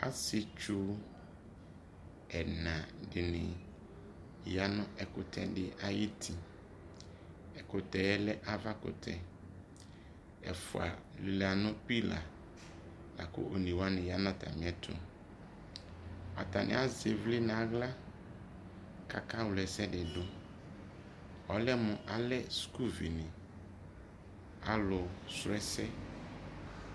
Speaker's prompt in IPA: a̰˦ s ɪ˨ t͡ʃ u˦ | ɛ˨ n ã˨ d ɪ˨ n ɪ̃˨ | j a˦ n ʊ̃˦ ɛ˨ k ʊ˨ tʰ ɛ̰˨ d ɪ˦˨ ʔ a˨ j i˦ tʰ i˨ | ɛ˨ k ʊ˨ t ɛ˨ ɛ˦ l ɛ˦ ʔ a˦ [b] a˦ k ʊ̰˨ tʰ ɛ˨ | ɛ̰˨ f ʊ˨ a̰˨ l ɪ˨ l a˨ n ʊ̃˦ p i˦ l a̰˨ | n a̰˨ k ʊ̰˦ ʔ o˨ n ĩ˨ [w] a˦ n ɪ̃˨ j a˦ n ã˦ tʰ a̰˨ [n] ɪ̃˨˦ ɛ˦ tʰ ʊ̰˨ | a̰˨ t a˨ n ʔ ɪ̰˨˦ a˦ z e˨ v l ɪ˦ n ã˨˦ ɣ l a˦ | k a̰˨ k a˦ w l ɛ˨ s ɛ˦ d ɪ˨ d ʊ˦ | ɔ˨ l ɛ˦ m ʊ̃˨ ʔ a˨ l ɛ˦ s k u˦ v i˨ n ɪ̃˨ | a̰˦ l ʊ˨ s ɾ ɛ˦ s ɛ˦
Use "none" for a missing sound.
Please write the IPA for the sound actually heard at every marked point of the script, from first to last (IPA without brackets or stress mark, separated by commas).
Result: v, w, m